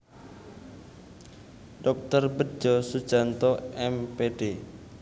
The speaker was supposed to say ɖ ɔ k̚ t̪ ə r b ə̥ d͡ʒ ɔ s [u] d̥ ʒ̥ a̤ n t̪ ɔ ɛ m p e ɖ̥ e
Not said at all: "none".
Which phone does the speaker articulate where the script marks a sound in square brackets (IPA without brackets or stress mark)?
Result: u